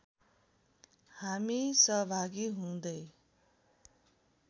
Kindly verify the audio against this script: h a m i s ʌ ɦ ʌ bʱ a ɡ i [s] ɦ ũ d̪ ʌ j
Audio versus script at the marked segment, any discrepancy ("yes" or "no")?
yes